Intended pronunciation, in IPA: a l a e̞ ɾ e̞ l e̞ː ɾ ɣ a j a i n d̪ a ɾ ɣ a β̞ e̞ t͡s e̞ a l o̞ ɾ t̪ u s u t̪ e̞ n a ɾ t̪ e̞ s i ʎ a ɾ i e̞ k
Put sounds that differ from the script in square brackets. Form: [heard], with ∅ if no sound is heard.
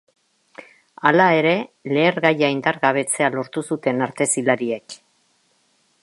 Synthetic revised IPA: a l a e̞ ɾ e̞ l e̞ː ɾ ɣ a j a i n d̪ a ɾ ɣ a β̞ e̞ t͡s e̞ a l o̞ ɾ t̪ u s u t̪ e̞ n a ɾ t̪ e̞ s i [l] a ɾ i e̞ k